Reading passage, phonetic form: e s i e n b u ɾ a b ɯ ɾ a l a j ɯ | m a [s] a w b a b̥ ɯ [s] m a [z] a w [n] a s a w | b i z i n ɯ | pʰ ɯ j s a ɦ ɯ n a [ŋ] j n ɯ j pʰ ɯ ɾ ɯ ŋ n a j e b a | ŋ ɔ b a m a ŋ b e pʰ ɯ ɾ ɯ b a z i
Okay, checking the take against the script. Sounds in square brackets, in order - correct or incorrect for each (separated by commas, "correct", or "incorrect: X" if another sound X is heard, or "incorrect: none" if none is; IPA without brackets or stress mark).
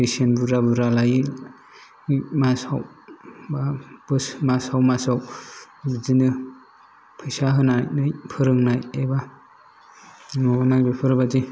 correct, correct, incorrect: s, incorrect: m, incorrect: none